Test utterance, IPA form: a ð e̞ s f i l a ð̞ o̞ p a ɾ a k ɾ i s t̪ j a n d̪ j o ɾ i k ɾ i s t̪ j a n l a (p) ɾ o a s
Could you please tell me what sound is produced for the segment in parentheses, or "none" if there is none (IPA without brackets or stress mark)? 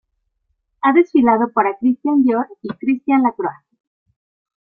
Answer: k